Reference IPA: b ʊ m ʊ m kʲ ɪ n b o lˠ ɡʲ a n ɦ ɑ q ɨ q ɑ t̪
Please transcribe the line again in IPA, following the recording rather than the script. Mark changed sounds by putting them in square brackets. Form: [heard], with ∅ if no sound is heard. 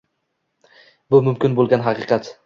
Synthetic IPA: b ʊ m ʊ m kʲ ɪ n b o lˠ ɡʲ a n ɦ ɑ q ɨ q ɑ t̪